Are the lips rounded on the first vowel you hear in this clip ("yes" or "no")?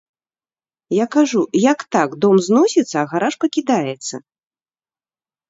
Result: no